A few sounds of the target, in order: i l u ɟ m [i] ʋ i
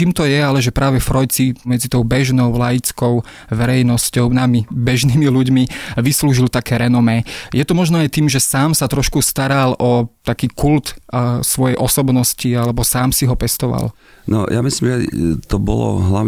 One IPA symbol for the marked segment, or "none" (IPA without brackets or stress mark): i